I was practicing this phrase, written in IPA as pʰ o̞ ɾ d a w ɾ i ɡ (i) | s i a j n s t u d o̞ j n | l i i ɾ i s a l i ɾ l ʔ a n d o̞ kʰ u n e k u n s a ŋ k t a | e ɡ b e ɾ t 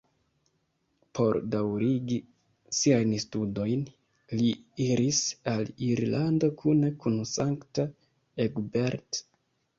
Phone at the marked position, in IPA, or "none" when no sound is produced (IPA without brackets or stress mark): i